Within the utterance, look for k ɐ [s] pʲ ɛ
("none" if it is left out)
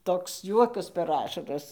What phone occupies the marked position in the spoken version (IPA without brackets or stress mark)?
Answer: s